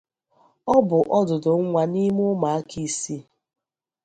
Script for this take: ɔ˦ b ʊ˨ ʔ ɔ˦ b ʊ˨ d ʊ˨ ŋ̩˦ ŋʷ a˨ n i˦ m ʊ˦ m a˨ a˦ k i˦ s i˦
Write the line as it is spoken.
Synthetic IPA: ɔ˦ b ʊ˨ ʔ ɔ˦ d ʊ˨ d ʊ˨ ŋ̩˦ ŋʷ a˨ n i˦ m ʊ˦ m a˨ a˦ k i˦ s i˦